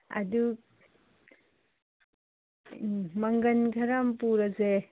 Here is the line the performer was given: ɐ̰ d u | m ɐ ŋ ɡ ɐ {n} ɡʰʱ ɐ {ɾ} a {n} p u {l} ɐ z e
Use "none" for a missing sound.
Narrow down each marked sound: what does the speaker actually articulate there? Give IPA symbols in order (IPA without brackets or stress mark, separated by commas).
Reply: n, ɾ, m, ɾ